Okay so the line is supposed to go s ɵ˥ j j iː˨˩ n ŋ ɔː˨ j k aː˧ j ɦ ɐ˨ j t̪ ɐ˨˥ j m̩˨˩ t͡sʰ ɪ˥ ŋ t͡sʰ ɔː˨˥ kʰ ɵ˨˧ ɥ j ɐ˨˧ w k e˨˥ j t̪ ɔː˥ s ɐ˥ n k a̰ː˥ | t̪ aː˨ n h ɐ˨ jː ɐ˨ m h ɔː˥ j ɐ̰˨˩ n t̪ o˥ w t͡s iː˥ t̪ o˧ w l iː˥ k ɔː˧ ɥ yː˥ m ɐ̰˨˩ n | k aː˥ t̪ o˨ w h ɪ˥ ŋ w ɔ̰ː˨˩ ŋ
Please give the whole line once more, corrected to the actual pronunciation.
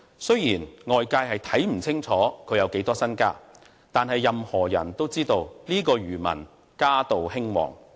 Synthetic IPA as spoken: s ɵ˥ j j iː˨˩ n ŋ ɔː˨ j k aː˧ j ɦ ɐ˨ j t̪ʰ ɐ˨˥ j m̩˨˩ t͡sʰ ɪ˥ ŋ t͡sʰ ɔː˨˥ kʰ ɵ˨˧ ɥ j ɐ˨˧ w k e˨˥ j t̪ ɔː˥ s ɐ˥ n k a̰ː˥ | t̪ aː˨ n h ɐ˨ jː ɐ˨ m h ɔː˨˩ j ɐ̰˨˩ n t̪ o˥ w t͡s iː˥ t̪ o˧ w l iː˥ k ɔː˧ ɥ yː˨˩ m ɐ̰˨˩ n | k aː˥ t̪ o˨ w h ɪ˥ ŋ w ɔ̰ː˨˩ ŋ